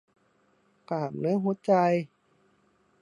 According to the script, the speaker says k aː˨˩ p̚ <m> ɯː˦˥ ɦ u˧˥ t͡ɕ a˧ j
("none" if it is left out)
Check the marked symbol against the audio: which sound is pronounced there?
n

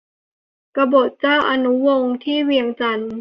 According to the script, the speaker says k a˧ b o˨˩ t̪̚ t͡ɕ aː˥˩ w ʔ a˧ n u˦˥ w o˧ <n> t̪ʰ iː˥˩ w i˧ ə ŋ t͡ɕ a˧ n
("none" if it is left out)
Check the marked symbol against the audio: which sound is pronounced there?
ŋ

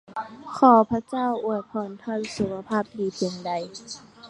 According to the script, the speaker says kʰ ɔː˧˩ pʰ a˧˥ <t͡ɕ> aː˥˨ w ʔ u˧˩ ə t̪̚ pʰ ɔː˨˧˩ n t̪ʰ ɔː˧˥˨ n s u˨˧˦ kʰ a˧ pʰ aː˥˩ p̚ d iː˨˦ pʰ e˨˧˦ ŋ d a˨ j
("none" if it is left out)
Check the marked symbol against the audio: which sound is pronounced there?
t͡ɕ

